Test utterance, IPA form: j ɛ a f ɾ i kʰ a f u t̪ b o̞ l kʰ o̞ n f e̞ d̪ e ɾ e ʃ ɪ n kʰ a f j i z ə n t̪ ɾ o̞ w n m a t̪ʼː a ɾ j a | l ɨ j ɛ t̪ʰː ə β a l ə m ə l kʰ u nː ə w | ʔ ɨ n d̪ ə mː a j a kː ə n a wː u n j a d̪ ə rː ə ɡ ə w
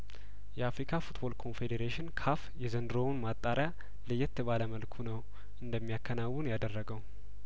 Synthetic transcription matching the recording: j ɛ a f ɾ i kʰ a f u t̪ b o̞ l kʰ o̞ n f e̞ d̪ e ɾ e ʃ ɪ n kʰ a f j ɛ z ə n d̪ ɾ o̞ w n m a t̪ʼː a ɾ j a | l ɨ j ɛ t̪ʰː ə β a l ə m ə l kʰ u n ə w | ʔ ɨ n d̪ ə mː i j a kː ə n a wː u n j a d̪ ə rː ə ɡ ə w